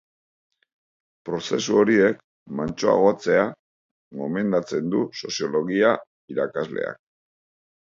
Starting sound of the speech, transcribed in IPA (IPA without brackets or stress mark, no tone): p